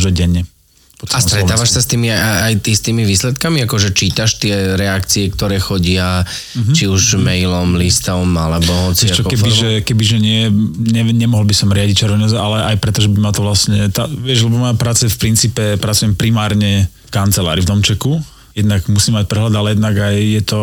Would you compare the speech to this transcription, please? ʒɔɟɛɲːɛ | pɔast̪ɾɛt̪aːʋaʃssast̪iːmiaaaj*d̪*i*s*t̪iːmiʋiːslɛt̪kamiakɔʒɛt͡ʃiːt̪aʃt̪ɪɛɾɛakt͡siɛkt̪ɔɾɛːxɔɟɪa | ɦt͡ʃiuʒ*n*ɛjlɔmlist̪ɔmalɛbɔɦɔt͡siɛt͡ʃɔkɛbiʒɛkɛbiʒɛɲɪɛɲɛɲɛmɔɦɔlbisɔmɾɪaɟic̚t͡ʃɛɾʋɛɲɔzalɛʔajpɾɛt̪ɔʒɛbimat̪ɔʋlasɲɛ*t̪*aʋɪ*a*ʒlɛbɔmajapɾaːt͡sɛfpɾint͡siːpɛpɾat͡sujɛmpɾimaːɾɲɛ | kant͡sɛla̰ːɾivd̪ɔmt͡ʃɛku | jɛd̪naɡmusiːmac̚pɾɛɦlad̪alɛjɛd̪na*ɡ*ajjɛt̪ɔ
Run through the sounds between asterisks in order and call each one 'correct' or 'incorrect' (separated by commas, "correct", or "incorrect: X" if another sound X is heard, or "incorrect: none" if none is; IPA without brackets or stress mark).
incorrect: t̪, correct, incorrect: m, correct, incorrect: ɛ, correct